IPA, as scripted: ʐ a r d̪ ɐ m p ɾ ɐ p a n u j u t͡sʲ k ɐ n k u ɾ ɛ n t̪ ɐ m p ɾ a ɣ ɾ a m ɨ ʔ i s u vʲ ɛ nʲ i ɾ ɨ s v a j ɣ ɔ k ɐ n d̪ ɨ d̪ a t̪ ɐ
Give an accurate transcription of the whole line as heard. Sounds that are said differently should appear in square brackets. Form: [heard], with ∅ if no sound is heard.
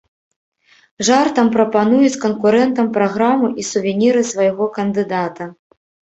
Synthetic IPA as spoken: ʐ a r [t̪] ɐ m p ɾ ɐ p a n u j u t͡sʲ k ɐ n k u ɾ ɛ n t̪ ɐ m p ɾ a ɣ ɾ a m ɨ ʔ i s u vʲ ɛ nʲ i ɾ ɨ s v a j ɣ ɔ k ɐ n d̪ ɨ d̪ a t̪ ɐ